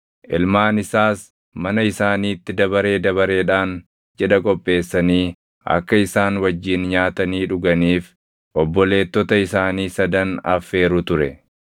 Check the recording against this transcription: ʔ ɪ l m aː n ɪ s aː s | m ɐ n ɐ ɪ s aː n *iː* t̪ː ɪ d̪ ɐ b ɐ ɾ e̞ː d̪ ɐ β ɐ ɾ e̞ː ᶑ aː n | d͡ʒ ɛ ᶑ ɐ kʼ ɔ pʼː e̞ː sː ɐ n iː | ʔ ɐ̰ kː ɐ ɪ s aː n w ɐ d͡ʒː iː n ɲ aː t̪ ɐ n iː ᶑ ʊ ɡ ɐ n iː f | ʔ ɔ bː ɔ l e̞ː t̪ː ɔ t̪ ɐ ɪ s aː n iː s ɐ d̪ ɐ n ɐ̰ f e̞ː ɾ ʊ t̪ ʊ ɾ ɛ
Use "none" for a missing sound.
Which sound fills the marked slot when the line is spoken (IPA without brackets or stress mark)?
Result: iː